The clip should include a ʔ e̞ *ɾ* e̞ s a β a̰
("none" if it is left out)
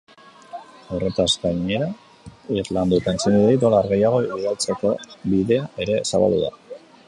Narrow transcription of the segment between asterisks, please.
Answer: ɾ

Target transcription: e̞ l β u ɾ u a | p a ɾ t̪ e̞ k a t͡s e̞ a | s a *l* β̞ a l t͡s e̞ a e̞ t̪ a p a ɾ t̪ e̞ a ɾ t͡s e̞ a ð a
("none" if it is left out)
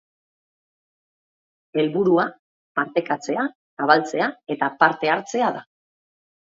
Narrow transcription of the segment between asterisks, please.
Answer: none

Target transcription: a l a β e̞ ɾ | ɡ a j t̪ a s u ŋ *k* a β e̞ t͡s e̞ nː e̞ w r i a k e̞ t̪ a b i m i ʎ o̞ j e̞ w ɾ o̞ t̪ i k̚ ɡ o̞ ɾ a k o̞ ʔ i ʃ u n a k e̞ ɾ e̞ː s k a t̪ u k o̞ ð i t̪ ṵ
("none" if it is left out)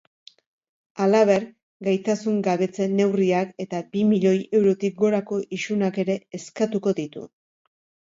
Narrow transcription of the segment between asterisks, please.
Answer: ɡ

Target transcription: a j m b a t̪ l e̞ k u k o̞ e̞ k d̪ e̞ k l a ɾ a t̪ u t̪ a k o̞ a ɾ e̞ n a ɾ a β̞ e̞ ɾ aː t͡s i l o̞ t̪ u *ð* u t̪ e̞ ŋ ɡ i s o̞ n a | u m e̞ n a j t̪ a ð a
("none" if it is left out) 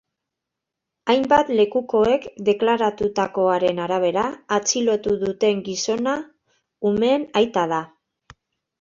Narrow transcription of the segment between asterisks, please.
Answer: ð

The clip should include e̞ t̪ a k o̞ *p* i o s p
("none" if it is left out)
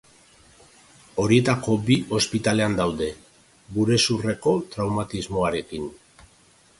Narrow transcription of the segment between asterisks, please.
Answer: b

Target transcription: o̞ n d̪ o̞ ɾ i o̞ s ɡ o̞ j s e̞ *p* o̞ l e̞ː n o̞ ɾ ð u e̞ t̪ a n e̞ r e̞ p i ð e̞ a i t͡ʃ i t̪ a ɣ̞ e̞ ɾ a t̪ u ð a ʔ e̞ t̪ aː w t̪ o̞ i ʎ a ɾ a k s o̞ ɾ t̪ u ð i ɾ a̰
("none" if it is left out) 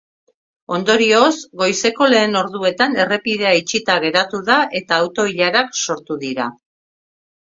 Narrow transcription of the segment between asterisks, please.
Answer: k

